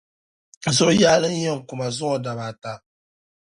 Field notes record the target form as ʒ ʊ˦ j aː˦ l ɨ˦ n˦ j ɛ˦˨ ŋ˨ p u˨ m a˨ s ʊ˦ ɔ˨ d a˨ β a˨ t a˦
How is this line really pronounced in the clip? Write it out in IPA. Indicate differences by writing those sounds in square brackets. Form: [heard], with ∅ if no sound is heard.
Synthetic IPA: [z] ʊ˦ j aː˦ l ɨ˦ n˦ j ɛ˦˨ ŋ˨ [k] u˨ m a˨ [z] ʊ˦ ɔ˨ d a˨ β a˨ t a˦